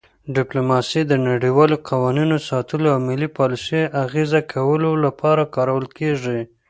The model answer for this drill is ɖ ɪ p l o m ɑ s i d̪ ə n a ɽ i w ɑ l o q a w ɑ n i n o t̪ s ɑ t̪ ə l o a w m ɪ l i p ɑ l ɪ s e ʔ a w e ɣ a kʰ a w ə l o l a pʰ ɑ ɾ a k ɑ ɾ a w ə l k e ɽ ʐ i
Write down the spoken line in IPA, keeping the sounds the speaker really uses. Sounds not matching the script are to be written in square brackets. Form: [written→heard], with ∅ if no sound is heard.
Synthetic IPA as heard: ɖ ɪ p l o m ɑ s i d̪ ə n a ɽ i w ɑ l o q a w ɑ n i n o [t̪→∅] s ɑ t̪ ə l o a w m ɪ l i p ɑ l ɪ s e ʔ a [w→ɣ] e [ɣ→z] a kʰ a w ə l o l a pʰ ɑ ɾ a k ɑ ɾ a w ə l k e [ɽ→∅] ʐ i